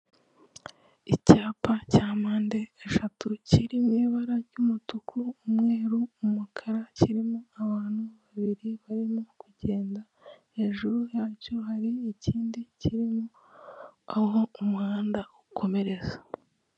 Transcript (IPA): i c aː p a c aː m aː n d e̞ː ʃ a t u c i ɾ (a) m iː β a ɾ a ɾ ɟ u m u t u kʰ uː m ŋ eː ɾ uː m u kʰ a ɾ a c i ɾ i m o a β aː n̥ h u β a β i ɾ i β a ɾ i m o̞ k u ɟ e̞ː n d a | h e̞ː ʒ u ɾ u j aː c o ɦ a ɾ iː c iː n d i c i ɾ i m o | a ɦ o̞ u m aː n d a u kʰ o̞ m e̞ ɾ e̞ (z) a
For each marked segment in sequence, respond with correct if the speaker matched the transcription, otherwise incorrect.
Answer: incorrect: i, correct

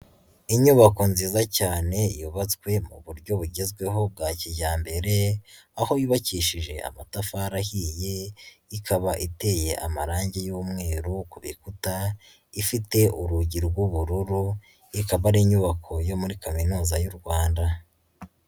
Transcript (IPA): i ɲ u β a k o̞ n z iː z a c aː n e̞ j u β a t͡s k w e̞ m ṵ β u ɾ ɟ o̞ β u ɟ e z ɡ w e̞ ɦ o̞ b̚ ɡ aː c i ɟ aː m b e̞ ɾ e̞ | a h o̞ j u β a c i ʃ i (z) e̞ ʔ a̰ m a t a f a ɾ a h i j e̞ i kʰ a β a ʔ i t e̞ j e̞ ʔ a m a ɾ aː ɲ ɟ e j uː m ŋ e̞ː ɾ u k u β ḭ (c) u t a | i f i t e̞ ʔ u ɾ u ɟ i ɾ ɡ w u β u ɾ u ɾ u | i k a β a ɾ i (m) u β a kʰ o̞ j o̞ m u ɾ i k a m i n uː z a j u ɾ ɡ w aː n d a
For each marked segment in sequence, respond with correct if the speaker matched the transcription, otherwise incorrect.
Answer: incorrect: ʒ, incorrect: k, incorrect: ɲ

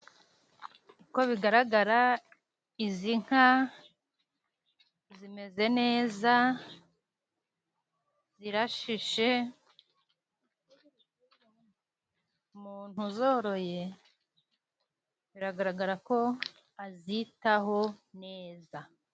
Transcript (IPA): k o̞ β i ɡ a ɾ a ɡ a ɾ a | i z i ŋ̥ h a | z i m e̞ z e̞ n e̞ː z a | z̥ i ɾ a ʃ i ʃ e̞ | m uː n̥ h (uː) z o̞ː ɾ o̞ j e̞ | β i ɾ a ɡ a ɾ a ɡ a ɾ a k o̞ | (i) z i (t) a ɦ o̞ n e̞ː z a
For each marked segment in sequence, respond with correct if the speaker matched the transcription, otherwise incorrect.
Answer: incorrect: u, incorrect: a, correct

